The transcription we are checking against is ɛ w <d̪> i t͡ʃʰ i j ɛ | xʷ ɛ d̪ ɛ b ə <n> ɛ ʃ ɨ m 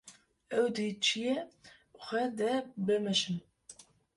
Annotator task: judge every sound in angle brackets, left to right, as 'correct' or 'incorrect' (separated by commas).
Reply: correct, incorrect